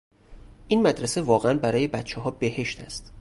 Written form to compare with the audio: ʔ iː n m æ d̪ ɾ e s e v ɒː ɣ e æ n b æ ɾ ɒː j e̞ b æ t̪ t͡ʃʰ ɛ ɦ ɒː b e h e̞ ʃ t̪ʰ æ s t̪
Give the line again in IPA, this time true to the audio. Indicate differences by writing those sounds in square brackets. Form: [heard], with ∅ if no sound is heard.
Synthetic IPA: ʔ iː n m æ d̪ ɾ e s e v ɒː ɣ e æ n b æ ɾ ɒː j e̞ b æ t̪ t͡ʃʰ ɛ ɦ ɒː b e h e̞ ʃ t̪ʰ æ s t̪